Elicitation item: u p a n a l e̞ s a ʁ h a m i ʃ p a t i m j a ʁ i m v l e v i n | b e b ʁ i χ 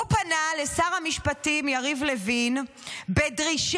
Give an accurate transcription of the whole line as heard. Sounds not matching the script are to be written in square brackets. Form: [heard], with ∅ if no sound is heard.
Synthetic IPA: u p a n a l e̞ s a ʁ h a m i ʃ p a t i m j a ʁ i [∅] v l e v i n | b e [d] ʁ i [ʃ]